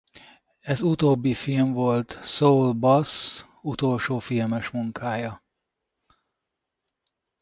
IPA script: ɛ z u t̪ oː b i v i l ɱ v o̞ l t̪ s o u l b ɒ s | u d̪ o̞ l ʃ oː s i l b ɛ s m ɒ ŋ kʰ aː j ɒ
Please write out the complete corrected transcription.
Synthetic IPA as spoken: ɛ z u t̪ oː bː i f i l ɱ v o̞ l t̪ s o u l b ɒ s | u t̪ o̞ l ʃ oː f i l m ɛ ʃ m u ŋ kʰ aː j ɒ